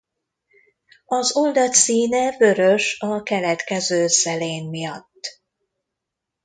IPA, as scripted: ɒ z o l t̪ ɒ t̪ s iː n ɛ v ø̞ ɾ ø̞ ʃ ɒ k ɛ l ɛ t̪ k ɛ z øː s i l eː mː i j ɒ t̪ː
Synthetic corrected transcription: ɒ z o l d̪ ɒ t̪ s iː n ɛ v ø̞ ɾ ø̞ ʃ ɒ k ɛ l ɛ t̪ k ɛ z øː s ɛ l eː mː i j ɒ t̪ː